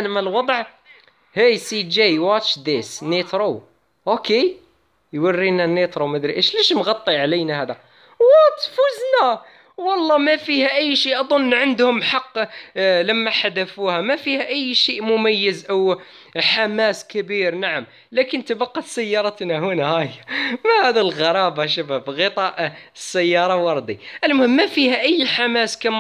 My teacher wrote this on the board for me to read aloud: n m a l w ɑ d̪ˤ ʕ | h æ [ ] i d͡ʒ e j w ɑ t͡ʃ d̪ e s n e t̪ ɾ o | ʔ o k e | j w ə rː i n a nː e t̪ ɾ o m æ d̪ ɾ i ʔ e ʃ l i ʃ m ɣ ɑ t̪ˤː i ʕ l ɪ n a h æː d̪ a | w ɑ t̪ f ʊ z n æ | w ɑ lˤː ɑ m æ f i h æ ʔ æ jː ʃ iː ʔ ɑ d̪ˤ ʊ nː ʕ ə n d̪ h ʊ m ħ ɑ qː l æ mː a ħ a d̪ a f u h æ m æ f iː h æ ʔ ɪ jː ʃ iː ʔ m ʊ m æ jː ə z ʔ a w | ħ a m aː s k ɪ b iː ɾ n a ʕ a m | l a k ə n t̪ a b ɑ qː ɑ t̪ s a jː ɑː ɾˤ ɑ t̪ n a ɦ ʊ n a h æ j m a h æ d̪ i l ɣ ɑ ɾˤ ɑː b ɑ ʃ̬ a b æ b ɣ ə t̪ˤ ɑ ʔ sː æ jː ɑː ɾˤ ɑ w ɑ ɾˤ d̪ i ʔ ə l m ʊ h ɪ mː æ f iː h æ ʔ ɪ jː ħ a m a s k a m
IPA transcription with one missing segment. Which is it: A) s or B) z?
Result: A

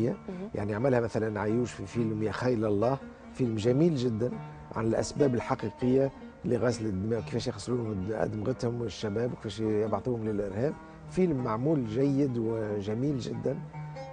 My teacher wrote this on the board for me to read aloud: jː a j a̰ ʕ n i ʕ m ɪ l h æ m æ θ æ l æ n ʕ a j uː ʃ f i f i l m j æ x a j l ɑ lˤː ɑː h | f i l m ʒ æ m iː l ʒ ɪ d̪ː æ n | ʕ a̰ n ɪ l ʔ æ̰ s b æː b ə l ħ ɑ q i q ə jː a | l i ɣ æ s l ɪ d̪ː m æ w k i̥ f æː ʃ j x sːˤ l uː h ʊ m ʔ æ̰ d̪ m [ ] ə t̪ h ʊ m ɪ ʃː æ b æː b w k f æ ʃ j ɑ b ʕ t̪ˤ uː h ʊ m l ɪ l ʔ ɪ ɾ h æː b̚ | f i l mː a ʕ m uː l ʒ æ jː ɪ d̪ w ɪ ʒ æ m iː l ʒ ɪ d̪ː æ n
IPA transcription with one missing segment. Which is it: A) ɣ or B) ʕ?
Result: A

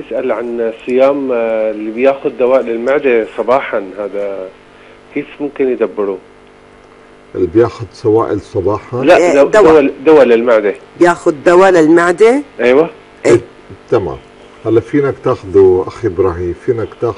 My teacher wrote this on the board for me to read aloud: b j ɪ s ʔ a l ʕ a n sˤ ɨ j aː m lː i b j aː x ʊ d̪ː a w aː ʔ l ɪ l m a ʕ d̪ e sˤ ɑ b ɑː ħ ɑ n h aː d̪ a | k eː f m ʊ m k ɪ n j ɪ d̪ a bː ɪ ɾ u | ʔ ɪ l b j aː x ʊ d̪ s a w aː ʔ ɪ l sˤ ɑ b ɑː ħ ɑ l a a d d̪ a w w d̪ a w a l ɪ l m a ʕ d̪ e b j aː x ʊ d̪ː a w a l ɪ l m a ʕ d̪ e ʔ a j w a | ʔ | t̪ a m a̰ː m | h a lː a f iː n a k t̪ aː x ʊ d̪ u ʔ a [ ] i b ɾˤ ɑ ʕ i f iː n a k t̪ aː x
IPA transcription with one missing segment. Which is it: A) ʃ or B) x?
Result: B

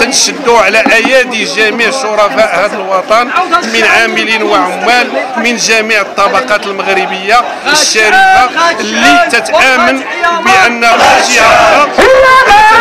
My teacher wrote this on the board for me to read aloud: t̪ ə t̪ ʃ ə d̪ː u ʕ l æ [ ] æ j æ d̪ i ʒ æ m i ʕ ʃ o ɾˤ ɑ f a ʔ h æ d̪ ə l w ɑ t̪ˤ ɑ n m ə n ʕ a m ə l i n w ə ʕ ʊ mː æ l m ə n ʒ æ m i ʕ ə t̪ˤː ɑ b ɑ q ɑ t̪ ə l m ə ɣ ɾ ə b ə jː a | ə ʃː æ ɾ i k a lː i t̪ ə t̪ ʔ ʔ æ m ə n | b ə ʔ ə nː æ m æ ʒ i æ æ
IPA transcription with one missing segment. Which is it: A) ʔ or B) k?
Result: A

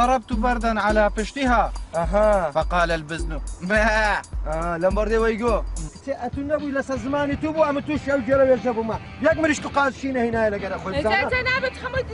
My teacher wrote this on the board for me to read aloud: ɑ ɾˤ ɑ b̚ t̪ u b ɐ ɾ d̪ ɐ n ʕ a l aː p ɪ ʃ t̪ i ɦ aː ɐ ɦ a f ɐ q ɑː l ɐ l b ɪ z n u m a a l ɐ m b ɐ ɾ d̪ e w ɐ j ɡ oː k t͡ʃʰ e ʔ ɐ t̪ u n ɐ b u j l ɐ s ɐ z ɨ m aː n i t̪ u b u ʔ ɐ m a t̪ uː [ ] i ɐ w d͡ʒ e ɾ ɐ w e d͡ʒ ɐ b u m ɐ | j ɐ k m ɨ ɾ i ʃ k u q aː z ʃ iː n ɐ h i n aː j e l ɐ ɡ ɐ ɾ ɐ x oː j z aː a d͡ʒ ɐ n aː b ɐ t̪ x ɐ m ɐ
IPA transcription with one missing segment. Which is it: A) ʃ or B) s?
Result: A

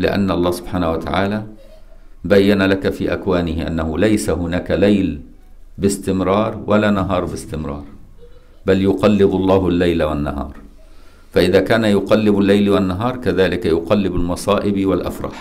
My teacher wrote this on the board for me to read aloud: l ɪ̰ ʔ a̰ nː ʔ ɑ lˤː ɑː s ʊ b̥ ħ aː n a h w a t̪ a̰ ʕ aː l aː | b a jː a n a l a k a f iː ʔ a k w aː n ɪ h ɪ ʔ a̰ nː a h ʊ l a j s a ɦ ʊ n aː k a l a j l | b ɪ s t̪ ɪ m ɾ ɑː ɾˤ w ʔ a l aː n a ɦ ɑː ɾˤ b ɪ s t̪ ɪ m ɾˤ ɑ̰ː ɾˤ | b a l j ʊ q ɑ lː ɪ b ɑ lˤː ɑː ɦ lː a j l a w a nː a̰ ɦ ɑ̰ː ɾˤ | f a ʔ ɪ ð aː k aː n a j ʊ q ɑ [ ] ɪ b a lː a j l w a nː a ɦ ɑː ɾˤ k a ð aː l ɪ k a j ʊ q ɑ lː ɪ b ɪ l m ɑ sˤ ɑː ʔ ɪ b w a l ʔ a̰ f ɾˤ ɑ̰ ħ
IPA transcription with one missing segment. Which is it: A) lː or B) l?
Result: A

